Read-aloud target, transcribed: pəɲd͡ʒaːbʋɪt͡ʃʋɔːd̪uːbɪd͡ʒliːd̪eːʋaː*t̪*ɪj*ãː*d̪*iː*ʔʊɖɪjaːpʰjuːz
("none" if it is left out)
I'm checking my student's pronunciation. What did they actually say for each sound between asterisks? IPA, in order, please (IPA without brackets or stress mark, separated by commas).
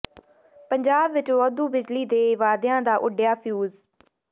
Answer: d̪, ãː, aː